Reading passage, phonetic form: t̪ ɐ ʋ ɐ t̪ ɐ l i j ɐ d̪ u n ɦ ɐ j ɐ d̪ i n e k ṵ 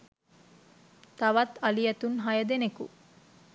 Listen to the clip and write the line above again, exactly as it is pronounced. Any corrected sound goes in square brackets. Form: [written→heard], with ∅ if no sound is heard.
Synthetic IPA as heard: t̪ ɐ ʋ ɐ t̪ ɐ l i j ɐ [d̪→t̪] u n ɦ ɐ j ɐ d̪ [i→e] n e k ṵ